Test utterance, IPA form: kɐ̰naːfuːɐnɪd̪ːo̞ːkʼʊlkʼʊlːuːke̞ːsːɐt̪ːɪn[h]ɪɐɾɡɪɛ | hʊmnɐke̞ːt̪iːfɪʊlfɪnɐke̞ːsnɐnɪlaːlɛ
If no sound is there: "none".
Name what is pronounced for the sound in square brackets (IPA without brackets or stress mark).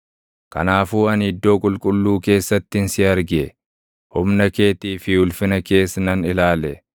s